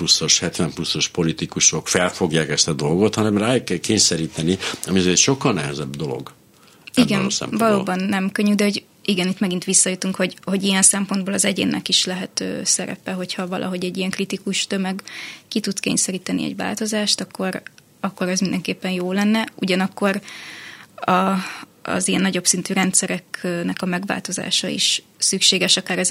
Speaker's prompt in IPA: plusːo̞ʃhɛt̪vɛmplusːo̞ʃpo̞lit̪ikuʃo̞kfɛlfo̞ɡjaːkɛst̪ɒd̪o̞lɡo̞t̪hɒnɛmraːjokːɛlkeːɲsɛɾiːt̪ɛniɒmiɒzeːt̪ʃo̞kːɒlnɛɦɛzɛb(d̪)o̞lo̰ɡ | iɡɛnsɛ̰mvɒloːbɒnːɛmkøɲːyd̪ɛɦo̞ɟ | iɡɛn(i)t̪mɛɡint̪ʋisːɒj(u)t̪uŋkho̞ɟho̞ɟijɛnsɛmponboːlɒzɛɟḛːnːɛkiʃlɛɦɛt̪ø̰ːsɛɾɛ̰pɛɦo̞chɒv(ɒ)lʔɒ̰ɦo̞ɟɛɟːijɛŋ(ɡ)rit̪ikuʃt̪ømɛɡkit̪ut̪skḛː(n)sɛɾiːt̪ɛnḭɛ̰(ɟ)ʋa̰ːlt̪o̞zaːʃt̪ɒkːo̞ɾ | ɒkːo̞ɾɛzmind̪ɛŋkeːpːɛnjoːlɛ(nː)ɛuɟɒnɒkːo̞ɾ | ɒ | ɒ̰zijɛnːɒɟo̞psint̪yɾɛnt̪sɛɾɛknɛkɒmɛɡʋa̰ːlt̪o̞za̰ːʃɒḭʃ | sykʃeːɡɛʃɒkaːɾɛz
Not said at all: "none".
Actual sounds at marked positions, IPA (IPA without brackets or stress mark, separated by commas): d̪, i, u, ɒ, k, ɲ, ɟ, nː